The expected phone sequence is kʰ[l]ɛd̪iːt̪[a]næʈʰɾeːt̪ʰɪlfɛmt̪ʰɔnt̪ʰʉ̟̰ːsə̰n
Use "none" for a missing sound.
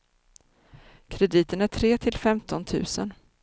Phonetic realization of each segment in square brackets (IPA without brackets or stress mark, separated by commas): ɾ, ə